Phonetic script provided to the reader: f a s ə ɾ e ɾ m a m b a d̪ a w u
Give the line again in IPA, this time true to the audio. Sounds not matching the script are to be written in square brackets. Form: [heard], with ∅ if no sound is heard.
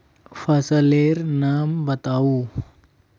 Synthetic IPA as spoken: f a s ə [l] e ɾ [n] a m b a [t̪] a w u